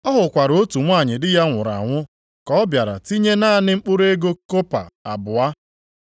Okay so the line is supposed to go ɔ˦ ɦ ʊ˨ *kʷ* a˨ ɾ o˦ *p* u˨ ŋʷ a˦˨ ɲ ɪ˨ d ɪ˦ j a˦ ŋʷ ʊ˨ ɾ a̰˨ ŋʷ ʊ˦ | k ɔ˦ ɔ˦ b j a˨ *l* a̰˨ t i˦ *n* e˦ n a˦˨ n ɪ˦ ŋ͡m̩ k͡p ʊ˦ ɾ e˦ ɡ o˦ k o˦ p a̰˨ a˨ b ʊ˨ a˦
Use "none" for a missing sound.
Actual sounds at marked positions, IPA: kʷ, t, ɾ, ɲ

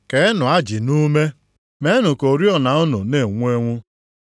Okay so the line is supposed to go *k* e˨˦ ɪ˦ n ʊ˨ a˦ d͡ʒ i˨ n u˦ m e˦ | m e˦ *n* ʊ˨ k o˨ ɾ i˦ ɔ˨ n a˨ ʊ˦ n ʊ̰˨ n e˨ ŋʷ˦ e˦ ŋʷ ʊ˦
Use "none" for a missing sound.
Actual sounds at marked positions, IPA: k, n

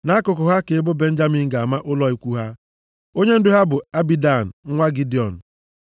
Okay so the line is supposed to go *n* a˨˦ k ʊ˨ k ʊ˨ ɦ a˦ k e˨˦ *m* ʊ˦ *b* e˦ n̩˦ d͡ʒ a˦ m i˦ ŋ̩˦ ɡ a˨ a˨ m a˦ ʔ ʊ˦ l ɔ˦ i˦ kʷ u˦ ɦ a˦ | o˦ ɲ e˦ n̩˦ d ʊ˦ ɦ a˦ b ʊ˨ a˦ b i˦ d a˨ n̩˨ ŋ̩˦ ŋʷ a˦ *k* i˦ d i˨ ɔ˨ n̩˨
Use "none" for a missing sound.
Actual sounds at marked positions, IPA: n, b, b, ɡ

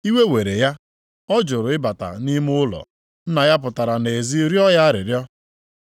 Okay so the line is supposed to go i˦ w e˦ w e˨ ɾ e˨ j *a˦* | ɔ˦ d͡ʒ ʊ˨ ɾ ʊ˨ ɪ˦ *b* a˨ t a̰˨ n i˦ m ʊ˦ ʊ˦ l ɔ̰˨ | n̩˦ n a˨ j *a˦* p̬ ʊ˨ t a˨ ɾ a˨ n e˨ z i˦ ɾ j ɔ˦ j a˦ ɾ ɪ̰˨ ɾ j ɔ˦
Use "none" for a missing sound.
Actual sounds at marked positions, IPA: a˦, b, a˦

